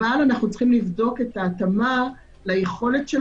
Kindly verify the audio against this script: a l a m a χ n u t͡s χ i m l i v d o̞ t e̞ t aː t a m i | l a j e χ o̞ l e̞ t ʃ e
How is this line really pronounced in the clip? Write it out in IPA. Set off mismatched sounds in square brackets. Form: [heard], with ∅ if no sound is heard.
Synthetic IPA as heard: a l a [n] a χ n u t͡s χ i m l i v d o̞ [k] e̞ t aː t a m [a] | l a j e χ o̞ l e̞ t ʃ e